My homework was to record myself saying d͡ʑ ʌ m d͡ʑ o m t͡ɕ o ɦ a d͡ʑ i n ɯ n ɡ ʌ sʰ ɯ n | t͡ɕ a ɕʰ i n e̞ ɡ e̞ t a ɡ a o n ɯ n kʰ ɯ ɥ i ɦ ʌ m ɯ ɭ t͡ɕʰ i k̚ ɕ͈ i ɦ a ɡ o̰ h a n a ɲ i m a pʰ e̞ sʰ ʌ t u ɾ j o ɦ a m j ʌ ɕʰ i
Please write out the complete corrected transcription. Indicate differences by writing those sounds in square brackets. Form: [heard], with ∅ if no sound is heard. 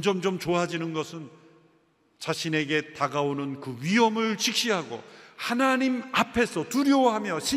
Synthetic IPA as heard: d͡ʑ ʌ m d͡ʑ o m t͡ɕ o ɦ a d͡ʑ i n ɯ n ɡ ʌ sʰ ɯ n | t͡ɕ a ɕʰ i n e̞ ɡ e̞ t a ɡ a o n ɯ n [k] ɯ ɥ i ɦ ʌ m ɯ ɭ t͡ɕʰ i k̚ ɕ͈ i ɦ a ɡ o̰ h a n a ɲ i m a pʰ e̞ sʰ ʌ t u ɾ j o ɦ a m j ʌ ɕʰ i